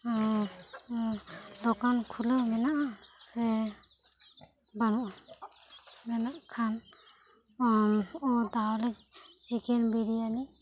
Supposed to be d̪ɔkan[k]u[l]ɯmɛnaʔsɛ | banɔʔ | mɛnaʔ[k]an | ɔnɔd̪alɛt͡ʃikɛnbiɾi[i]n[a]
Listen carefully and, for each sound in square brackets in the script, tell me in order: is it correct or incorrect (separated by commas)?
incorrect, correct, incorrect, incorrect, incorrect